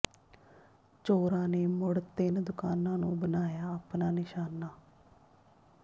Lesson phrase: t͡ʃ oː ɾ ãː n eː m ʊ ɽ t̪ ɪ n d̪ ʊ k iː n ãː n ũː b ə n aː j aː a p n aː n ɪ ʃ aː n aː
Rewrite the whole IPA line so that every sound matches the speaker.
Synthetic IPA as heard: t͡ʃ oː ɾ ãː n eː m ʊ ɽ t̪ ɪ n d̪ ʊ k aː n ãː n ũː b ə n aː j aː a p n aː n ɪ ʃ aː n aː

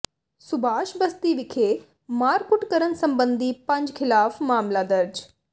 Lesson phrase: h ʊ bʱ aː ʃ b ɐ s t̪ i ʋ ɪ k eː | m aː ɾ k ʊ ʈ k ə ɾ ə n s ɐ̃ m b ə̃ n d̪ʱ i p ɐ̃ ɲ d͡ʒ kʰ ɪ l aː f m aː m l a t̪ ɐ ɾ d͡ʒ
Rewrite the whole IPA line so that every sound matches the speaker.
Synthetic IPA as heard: s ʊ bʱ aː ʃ b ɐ s t̪ i ʋ ɪ kʰ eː | m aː ɾ k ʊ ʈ k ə ɾ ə n s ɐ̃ m b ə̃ n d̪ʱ i p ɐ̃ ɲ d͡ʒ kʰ ɪ l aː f m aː m l a d̪ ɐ ɾ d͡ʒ

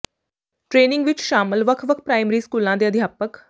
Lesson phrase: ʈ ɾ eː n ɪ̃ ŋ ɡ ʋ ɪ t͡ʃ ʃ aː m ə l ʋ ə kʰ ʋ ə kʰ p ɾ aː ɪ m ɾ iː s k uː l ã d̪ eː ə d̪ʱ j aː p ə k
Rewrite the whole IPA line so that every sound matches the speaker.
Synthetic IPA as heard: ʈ ɾ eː n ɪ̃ ŋ ɡ ʋ ɪ t͡ʃ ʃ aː m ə l ʋ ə kʰ ʋ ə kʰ p ɾ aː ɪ m ɾ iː s k uː l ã d̪ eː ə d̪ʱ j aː p ə k

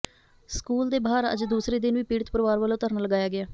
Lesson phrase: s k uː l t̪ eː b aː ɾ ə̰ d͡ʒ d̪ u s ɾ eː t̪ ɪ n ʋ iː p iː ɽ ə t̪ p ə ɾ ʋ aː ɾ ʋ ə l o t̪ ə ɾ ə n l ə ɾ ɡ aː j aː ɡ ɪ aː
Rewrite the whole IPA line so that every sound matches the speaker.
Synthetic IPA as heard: s k uː l d̪ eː b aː ɾ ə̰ d͡ʒ d̪ uː s ɾ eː d̪ ɪ n ʋ iː p iː ɽ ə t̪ p ə ɾ ʋ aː ɾ ʋ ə l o t̪ ə ɾ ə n l ə ɡ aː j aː ɡ ɪ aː

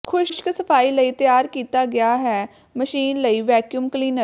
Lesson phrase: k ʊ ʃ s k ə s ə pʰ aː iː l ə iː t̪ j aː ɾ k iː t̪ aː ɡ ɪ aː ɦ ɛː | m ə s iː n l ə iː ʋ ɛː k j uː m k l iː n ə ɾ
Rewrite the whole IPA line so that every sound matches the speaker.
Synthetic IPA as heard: kʰ ʊ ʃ ʃ k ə s ə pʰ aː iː l ə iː t̪ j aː ɾ k iː t̪ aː ɡ ɪ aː ɦ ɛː | m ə ʃ iː n l ə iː ʋ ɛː k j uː m k l iː n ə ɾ

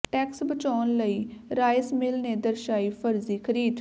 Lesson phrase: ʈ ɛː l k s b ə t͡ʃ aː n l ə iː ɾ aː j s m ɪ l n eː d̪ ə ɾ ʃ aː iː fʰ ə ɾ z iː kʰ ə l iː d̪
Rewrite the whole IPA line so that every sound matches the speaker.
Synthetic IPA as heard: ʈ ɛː k s b ə t͡ʃ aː n l ə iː ɾ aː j s m ɪ l n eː d̪ ə ɾ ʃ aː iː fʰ ə ɾ z iː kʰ ə ɾ iː d̪

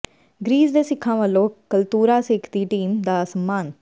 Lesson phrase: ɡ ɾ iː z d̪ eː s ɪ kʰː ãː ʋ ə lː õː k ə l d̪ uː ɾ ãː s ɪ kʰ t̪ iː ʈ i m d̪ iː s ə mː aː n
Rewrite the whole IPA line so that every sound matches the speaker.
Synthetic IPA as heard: ɡ ɾ iː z d̪ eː s ɪ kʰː ãː ʋ ə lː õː k ə l t̪ uː ɾ aː s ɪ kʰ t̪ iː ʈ iː m d̪ aː s ə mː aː n

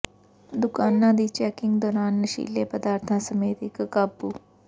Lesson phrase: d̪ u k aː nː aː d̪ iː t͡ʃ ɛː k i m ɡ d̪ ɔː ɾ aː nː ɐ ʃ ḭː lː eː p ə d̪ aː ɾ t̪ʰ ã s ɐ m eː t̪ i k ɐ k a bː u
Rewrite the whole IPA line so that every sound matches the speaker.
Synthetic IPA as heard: d̪ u k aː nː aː d̪ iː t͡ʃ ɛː k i ŋ ɡ d̪ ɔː ɾ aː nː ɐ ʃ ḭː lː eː p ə d̪ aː ɾ t̪ʰ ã s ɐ m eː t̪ i k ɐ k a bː u

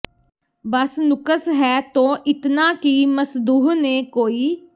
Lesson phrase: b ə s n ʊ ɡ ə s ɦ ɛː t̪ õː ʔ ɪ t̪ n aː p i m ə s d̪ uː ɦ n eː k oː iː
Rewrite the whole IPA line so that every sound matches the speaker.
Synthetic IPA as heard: b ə s n ʊ k ə s ɦ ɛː t̪ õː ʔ ɪ t̪ n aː k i m ə s d̪ uː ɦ n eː k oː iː

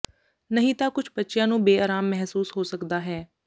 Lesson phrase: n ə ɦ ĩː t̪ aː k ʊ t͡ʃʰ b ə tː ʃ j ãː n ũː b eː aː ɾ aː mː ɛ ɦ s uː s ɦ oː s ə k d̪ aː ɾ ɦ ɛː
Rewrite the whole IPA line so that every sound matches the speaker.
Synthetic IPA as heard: n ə ɦ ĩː t̪ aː k ʊ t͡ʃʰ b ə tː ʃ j ãː n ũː b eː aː ɾ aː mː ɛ ɦ s uː s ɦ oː s ə k d̪ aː ɦ ɛː

